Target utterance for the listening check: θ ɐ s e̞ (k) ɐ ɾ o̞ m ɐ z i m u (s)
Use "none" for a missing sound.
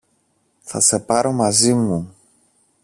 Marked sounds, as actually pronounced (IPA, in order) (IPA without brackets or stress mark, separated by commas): p, none